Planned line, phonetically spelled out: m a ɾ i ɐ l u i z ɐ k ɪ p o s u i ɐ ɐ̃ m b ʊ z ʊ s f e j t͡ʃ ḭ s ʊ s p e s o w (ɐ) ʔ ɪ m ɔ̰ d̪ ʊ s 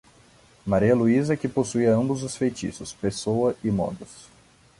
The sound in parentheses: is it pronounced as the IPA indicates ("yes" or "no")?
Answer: yes